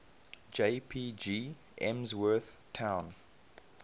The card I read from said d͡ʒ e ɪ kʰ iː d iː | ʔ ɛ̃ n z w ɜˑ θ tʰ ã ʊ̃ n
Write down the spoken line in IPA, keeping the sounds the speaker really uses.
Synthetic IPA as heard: d͡ʒ e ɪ pʰ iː d͡ʒ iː | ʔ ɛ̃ m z w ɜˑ θ tʰ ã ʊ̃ n